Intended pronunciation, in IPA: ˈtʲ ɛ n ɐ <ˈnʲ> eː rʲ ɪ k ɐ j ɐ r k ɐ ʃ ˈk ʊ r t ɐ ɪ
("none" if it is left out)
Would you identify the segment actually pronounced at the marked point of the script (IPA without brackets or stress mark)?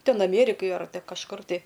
mʲ